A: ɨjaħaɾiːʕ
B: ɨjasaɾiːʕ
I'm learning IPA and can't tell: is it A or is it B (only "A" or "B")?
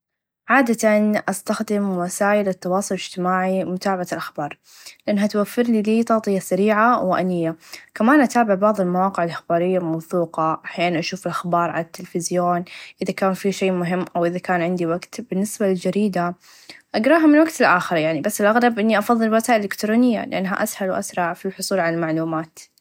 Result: B